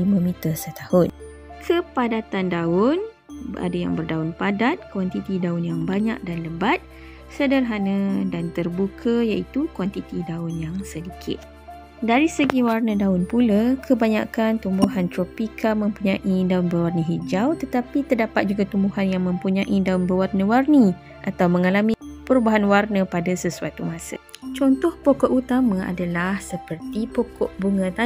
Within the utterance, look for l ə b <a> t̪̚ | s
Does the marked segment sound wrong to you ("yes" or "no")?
no